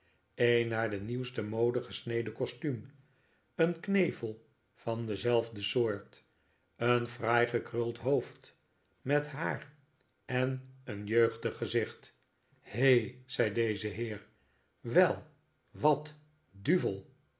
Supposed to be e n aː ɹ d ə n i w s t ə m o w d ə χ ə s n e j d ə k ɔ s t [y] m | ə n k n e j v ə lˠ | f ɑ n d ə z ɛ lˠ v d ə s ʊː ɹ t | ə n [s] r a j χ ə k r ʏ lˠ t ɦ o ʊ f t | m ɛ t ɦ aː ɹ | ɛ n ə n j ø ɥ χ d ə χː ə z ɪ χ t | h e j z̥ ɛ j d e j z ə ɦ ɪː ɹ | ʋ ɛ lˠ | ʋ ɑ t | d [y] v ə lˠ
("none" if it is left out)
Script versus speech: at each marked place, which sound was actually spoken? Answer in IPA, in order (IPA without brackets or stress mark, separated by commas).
y, f, y